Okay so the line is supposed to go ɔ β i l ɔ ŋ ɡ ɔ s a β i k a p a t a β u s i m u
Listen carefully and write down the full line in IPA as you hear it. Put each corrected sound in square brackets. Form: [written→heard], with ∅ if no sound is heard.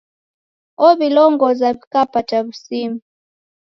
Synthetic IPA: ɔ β i l ɔ ŋ ɡ ɔ [s→z] a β i k a p a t a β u s i m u